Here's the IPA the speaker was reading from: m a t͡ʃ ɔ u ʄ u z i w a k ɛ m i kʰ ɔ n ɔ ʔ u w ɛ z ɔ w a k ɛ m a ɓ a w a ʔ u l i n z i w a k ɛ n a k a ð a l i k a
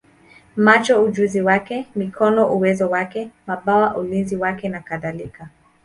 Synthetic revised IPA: m a t͡ʃ ɔ u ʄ u z i w a k ɛ m i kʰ ɔ n ɔ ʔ u w ɛ z ɔ w a k ɛ m a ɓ a w a ʔ u l i n z i w a k ɛ n a k a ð a l i k a